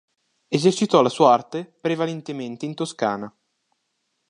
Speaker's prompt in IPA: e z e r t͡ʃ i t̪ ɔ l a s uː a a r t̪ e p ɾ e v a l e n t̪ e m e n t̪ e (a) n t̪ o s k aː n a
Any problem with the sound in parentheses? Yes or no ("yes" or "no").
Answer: yes